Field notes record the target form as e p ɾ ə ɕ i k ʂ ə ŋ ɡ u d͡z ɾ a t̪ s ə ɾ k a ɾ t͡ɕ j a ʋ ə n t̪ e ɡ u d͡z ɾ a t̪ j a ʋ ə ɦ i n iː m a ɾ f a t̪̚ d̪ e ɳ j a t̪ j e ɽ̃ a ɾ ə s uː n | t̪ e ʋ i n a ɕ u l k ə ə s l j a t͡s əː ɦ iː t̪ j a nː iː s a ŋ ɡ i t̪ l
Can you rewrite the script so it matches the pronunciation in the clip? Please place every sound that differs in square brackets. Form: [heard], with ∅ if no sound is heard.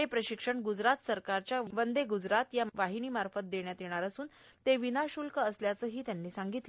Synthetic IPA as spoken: e p ɾ ə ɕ i k ʂ ə [ɳ] ɡ u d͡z ɾ a t̪ s ə ɾ k a ɾ t͡ɕ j a ʋ ə n [d̪] e ɡ u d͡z ɾ a t̪ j a ʋ [a] ɦ i n iː m a ɾ f [ə] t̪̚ d̪ e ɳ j a t̪ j e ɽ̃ a ɾ ə s uː n | t̪ e ʋ i n a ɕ u l k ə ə s l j a t͡s əː ɦ iː t̪ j a nː iː s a ŋ ɡ i t̪ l